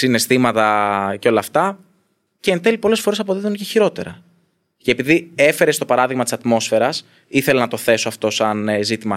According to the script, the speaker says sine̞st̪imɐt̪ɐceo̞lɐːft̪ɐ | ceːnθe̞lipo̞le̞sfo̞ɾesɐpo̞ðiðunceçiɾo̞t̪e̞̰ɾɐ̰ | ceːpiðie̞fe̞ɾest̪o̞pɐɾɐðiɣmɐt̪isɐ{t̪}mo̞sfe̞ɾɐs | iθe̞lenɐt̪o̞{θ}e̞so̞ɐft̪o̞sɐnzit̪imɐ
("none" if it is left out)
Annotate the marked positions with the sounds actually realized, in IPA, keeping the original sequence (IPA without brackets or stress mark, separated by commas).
t̪, θ